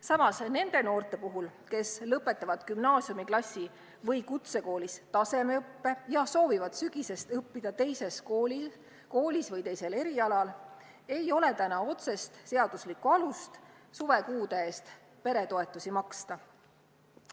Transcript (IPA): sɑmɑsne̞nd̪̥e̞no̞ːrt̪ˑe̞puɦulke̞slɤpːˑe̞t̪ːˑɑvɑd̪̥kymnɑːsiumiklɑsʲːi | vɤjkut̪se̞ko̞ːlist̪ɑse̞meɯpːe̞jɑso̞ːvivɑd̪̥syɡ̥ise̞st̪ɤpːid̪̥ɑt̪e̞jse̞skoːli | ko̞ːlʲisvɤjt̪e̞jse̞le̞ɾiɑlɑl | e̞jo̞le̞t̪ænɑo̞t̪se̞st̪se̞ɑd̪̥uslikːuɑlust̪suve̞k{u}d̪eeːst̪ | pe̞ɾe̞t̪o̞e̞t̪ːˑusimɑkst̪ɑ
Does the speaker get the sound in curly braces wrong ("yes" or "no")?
yes